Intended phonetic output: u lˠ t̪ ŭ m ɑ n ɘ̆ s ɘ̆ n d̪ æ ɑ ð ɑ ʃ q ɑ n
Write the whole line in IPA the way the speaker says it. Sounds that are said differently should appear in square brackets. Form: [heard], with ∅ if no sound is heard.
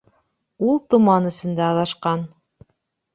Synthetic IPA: u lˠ t̪ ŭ m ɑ n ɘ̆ s ɘ̆ n d̪ æ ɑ ð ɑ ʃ q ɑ n